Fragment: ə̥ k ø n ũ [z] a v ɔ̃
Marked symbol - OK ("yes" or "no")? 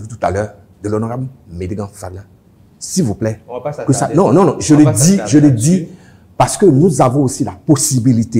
yes